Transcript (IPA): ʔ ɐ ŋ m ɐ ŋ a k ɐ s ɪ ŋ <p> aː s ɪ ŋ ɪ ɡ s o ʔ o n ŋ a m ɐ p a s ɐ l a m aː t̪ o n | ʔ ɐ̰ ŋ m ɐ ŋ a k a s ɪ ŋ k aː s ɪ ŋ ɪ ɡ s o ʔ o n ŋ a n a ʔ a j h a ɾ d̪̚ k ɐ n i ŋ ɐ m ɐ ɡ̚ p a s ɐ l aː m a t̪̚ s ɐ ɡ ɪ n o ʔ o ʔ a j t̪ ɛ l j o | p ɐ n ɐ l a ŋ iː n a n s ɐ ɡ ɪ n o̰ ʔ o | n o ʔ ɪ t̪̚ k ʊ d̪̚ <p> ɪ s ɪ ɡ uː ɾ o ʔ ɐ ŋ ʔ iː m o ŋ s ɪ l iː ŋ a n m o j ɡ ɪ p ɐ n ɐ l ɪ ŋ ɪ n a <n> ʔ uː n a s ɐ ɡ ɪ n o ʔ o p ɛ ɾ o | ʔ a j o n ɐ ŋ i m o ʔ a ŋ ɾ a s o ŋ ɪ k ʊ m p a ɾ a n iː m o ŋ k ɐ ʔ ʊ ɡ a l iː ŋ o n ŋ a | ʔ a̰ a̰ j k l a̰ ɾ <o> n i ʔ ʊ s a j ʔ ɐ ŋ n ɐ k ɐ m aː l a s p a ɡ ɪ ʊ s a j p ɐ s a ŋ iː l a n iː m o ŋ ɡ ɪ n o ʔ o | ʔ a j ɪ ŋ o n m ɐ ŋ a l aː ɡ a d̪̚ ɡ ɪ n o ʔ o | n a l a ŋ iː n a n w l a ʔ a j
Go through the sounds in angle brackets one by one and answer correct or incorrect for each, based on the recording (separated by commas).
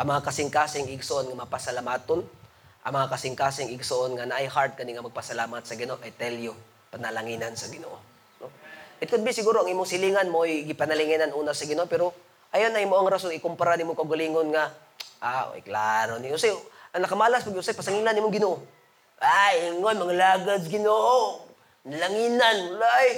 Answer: incorrect, incorrect, correct, correct